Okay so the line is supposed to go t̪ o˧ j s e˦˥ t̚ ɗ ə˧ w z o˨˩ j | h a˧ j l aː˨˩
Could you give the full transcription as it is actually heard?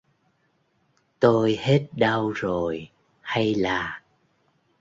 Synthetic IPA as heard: t̪ o˧ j h e˦˥ t̚ ɗ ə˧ w z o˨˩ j | h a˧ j l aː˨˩